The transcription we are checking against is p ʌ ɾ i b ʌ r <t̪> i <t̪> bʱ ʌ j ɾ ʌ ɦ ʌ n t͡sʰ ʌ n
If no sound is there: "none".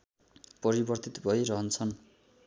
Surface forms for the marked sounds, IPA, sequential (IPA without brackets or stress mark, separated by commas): t̪, t̪